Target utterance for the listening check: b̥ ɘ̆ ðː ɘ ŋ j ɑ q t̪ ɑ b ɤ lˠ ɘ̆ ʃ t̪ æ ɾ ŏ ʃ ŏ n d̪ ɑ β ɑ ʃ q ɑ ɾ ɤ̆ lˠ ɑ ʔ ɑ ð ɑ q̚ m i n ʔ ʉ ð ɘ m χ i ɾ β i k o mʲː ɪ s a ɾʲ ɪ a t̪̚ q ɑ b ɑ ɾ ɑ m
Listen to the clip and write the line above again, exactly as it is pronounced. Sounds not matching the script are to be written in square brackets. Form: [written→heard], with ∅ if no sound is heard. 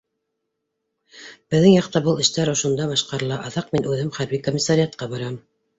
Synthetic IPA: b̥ ɘ̆ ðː ɘ ŋ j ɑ q t̪ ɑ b ɤ lˠ ɘ̆ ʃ t̪ æ ɾ ŏ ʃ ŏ n d̪ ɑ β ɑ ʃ q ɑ ɾ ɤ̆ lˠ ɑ ʔ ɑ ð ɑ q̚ m i n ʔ ʉ ð ɘ m χ [i→æ] ɾ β i k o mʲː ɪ s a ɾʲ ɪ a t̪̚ q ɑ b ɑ ɾ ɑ m